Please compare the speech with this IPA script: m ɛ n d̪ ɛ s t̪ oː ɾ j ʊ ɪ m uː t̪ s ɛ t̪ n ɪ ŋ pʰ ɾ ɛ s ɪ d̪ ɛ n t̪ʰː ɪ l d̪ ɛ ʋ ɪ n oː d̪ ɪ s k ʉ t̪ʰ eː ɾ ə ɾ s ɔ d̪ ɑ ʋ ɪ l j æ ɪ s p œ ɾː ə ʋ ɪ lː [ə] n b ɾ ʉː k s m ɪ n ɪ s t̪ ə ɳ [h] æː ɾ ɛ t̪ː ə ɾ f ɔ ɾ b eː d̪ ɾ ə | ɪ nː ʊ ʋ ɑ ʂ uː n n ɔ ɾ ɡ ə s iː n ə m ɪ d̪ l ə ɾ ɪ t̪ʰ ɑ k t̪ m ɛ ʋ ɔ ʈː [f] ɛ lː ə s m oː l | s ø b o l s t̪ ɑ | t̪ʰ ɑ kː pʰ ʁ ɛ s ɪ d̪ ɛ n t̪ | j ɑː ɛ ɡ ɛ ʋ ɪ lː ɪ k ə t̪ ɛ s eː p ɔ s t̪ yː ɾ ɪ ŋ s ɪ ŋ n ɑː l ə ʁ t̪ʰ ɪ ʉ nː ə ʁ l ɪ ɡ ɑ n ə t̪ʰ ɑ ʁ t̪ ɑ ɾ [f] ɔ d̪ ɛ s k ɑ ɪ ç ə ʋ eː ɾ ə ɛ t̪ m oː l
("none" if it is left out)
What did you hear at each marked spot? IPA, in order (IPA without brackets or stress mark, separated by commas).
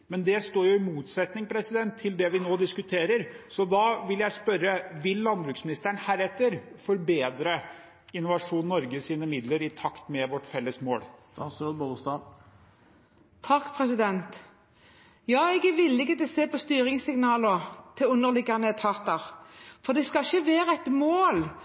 ɑ, h, f, f